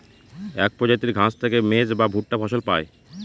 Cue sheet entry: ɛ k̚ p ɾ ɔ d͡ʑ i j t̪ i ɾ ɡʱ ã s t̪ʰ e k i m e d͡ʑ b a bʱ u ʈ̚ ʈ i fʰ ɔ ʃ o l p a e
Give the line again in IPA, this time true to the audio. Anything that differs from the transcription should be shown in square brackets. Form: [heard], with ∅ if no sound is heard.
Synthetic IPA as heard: ɛ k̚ p ɾ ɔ d͡ʑ [a] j t̪ i ɾ ɡʱ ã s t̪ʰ e k [e] m e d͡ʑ b a bʱ u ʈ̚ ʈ [a] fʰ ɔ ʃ o l p a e